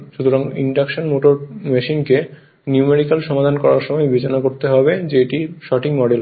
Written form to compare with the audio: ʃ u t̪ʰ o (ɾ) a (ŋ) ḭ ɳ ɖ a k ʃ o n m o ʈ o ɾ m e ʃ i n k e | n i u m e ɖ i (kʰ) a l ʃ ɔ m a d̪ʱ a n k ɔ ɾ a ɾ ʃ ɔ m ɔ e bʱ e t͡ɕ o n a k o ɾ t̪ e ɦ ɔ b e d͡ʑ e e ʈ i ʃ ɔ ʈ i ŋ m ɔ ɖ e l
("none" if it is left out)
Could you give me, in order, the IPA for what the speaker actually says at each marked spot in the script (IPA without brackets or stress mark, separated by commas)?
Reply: ɾ, ŋ, k